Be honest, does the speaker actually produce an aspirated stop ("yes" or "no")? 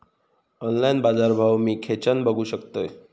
yes